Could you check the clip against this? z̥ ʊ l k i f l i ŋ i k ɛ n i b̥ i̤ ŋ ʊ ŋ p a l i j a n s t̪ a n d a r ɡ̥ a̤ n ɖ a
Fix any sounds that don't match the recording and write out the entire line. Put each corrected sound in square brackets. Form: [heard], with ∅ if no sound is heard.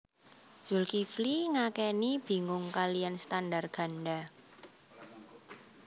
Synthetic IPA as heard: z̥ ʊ l k i f l i ŋ [a] k ɛ n i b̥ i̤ ŋ ʊ ŋ [k] a l i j a n s t̪ a n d a r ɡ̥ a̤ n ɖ a